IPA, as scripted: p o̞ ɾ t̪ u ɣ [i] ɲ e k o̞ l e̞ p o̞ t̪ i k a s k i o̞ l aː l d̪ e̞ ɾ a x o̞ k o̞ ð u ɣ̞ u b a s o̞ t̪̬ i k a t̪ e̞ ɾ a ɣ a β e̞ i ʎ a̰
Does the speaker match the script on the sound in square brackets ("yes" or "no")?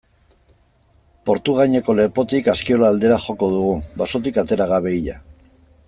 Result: no